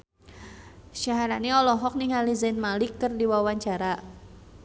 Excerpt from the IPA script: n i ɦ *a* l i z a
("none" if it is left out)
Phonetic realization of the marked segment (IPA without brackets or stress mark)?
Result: a